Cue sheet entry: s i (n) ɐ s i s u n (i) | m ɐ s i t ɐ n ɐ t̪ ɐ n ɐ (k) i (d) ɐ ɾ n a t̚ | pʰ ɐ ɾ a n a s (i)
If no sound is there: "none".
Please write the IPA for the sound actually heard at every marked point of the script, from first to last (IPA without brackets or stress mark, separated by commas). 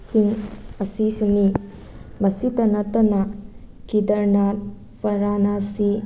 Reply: ŋ, i, k, d, i